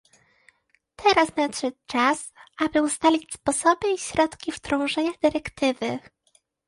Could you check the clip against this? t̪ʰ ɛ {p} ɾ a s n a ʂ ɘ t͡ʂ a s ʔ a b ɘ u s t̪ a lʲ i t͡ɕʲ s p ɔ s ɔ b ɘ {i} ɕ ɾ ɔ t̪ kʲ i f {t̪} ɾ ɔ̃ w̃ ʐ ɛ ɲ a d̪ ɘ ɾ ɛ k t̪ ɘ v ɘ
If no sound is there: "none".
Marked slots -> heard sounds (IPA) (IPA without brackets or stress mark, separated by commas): none, i, t̪